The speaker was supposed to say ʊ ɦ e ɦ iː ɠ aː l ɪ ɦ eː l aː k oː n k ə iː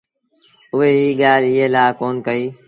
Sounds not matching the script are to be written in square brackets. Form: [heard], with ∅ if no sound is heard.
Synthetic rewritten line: ʊ ɦ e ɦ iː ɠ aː l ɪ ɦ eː l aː k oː n k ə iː